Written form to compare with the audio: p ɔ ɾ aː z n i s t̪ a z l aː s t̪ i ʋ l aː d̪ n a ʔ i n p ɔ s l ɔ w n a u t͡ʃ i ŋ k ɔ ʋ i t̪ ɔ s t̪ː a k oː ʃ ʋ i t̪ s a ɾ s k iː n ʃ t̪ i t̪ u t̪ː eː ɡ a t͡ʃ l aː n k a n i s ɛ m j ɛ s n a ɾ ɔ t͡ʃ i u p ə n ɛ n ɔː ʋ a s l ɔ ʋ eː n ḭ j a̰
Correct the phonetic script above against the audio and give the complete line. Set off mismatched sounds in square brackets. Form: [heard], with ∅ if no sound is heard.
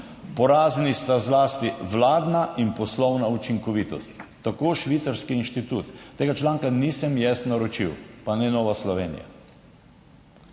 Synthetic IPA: p ɔ ɾ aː z n i s t̪ a z l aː s t̪ i ʋ l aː d̪ n a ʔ i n p ɔ s l ɔ w n a u t͡ʃ i ŋ k ɔ ʋ i t̪ ɔ s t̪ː a k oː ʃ ʋ i t̪ s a ɾ s k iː n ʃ t̪ i t̪ u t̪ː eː ɡ a t͡ʃ l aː [ŋ] k a n i s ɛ m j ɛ s n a ɾ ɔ t͡ʃ i [w] p [a] n ɛ n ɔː ʋ a s l ɔ ʋ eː n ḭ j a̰